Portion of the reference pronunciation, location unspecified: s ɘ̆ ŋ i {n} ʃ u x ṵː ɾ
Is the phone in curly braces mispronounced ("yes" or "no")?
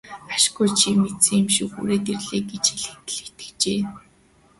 yes